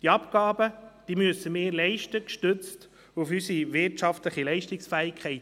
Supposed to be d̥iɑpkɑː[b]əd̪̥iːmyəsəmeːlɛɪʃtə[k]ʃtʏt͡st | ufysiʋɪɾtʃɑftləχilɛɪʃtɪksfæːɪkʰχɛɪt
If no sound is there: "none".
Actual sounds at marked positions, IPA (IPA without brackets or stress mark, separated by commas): b, k